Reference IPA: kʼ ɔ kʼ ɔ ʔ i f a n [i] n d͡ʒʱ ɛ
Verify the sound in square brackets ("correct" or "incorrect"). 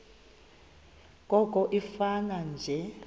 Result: incorrect